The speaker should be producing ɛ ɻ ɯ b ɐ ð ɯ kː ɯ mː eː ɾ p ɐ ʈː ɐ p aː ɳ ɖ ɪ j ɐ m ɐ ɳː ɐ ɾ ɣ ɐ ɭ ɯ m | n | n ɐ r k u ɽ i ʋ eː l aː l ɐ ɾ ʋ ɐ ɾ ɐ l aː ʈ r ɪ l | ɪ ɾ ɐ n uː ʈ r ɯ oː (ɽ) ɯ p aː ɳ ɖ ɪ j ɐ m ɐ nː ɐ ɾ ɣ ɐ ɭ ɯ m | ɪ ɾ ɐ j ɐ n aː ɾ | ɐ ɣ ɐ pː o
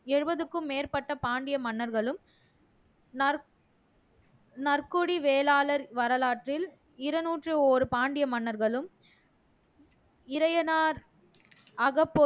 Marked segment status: incorrect: ɾ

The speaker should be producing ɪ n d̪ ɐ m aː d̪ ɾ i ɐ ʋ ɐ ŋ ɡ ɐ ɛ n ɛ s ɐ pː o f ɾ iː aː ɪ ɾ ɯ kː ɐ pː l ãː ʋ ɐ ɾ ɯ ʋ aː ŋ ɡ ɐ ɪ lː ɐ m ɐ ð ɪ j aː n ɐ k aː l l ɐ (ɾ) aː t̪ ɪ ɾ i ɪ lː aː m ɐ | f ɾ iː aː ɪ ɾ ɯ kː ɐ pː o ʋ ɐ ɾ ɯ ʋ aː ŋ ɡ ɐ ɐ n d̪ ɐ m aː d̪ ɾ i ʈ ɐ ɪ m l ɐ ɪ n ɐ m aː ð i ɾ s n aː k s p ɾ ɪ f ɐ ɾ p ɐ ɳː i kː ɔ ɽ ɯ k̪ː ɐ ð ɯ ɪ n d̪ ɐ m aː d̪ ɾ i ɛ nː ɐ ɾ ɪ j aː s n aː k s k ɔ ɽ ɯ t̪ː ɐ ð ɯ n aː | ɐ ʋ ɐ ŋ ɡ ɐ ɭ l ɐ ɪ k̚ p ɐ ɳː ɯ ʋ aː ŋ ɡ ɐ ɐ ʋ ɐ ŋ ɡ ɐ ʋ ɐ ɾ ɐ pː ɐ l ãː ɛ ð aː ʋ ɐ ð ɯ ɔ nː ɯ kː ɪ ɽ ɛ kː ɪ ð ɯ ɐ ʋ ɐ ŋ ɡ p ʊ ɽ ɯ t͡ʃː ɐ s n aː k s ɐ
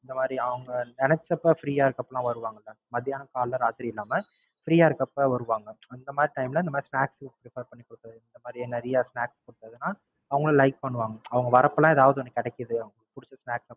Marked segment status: correct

